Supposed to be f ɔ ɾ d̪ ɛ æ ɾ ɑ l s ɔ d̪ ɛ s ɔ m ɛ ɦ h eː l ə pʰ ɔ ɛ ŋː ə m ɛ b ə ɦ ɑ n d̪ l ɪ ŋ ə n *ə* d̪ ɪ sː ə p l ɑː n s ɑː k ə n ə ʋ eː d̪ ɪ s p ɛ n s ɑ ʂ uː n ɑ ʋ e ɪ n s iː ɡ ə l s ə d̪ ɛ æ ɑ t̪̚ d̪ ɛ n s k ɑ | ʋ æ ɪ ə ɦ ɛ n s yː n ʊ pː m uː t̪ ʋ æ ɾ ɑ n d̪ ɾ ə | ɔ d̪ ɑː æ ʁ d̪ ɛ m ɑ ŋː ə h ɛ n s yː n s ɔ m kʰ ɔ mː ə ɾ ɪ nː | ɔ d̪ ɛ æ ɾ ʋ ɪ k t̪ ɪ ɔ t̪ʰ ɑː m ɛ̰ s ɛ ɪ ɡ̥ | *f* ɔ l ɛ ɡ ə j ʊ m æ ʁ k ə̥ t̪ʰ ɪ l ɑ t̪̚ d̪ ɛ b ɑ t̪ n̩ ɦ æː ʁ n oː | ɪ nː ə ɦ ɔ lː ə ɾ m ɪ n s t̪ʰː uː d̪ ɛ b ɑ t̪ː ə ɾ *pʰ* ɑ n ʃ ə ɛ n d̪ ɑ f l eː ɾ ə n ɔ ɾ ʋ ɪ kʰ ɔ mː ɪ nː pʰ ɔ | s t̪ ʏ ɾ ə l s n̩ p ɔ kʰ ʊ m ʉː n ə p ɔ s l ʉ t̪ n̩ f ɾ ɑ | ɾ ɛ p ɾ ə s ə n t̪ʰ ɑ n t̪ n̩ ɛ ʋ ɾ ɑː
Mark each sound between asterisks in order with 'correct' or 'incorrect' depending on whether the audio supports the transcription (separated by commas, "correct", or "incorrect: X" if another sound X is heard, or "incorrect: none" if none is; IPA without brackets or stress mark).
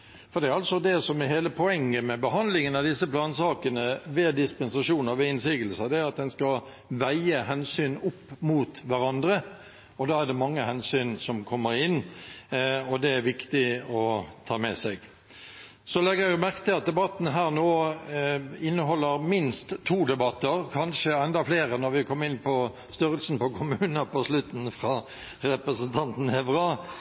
incorrect: ɑ, incorrect: s, incorrect: kʰ